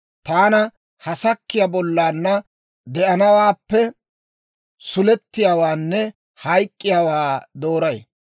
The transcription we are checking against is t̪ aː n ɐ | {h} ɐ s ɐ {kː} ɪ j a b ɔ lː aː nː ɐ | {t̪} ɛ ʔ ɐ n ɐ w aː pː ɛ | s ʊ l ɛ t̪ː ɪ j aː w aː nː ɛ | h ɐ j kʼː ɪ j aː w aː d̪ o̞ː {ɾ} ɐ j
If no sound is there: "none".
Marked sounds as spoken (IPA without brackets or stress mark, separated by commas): h, kː, d̪, ɾ